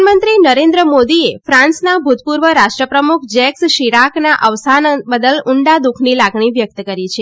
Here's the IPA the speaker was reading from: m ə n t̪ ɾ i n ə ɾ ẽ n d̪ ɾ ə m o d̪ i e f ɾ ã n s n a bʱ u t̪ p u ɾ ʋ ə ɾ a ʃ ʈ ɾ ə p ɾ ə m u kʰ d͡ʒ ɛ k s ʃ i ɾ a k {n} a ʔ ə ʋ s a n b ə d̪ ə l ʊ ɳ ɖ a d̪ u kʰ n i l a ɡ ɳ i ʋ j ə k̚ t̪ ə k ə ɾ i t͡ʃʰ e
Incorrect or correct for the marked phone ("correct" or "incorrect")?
correct